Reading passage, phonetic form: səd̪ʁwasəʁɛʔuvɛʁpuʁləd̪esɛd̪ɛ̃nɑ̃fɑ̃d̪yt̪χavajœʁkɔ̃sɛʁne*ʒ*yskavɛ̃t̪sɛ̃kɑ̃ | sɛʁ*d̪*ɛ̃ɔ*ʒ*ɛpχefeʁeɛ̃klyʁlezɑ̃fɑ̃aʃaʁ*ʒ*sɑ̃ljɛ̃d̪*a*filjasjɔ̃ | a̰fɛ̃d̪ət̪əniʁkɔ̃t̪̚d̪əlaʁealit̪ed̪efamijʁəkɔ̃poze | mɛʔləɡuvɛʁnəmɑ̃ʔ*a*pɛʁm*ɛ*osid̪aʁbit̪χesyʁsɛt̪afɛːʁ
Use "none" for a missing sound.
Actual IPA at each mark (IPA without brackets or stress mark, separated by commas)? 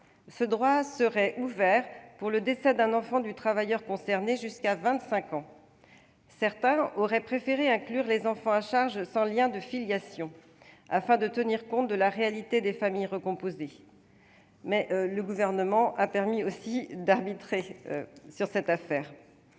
ʒ, t̪, ʁ, ʒ, ə, a, i